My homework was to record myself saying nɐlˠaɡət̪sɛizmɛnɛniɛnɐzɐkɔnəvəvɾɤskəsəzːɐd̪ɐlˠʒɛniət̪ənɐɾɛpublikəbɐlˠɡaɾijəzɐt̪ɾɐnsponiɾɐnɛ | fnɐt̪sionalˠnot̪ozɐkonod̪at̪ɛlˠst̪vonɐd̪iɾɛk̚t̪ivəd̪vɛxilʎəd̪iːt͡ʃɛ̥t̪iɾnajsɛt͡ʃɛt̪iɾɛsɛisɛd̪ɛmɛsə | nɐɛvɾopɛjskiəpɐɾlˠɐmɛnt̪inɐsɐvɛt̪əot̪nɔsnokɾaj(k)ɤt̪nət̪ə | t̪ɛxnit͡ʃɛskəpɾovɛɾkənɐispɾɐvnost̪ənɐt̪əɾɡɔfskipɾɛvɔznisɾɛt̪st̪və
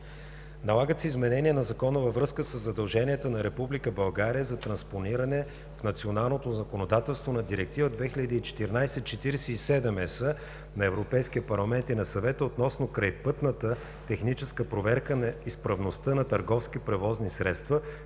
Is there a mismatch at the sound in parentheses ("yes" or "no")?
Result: yes